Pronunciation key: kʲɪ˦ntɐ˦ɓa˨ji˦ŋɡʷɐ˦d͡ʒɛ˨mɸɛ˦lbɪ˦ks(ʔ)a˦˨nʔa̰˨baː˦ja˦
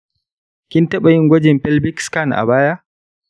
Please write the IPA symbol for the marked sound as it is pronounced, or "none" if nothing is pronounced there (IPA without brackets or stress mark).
k